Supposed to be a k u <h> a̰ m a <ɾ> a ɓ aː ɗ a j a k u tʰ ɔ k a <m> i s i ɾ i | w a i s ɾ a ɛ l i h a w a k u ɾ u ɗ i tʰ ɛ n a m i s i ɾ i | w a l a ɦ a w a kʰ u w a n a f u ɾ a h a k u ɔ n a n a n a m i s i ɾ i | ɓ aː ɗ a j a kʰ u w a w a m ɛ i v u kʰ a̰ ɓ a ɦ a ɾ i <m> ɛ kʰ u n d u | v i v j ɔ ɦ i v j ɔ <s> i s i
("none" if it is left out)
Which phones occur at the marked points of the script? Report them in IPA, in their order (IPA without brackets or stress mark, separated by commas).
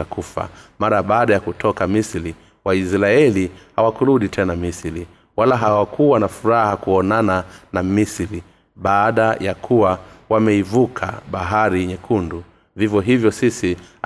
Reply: f, ɾ, m, ɲ, s